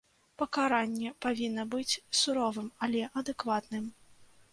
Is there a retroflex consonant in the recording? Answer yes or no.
no